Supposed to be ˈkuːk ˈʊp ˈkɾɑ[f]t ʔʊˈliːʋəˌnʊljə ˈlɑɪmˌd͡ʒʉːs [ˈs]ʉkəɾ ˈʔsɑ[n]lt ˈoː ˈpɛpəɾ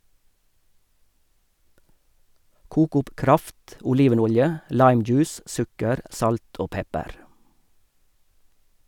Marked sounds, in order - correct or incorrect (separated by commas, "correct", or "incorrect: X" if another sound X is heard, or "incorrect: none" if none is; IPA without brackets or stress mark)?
correct, correct, incorrect: none